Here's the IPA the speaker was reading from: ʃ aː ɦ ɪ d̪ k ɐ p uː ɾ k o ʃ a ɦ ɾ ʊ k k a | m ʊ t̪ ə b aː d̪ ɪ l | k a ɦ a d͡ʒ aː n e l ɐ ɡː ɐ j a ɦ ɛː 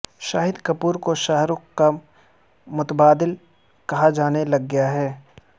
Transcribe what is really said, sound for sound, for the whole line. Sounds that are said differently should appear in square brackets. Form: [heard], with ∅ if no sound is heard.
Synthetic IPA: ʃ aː ɦ ɪ d̪ k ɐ p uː ɾ k o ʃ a ɦ ɾ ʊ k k a | m ʊ t̪ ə b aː d̪ ɪ l | k [ɐ] ɦ a d͡ʒ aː n e l ɐ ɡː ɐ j a ɦ ɛː